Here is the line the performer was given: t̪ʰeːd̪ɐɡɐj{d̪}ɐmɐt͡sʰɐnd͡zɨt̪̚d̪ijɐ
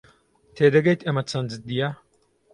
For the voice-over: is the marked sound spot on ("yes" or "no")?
no